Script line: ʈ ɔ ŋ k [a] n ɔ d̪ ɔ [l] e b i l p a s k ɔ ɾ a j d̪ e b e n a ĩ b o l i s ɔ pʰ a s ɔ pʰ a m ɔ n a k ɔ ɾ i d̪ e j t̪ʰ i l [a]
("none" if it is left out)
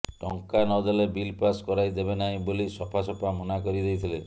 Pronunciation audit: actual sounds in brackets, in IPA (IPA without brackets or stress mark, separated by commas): a, l, e